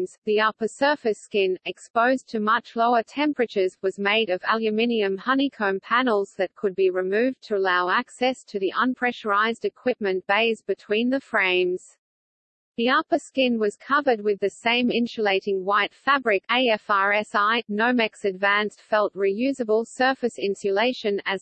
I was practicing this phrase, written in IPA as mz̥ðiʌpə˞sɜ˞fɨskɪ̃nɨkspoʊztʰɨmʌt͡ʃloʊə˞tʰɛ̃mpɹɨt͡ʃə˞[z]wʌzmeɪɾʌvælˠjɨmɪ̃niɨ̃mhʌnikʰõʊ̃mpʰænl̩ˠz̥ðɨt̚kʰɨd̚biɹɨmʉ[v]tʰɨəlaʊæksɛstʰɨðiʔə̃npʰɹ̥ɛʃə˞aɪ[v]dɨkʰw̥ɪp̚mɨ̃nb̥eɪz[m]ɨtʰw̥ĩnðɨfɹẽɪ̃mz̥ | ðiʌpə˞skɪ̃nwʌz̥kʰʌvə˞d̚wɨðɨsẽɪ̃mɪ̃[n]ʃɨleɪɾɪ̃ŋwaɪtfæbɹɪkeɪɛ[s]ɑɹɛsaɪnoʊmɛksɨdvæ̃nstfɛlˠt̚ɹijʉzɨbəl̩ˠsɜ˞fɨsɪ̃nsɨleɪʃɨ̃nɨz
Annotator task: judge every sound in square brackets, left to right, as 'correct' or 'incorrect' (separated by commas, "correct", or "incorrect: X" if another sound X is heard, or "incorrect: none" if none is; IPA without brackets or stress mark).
correct, correct, incorrect: z, incorrect: b, correct, incorrect: f